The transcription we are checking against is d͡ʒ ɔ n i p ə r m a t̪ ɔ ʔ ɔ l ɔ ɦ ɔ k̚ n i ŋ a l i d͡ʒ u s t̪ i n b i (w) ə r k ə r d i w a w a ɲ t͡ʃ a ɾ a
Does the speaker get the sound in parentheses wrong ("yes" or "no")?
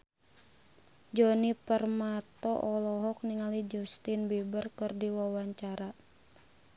yes